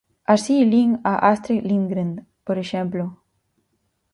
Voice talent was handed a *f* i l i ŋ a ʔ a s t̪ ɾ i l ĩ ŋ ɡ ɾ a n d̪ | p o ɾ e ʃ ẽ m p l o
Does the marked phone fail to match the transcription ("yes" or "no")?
yes